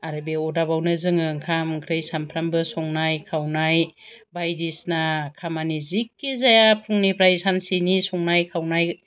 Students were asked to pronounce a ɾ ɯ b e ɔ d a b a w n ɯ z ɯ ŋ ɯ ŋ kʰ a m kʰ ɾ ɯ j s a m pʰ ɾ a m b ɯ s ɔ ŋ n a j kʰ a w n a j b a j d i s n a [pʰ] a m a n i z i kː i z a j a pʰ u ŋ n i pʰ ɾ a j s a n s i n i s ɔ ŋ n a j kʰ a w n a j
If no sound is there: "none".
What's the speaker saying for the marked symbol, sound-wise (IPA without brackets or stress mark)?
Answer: kʰ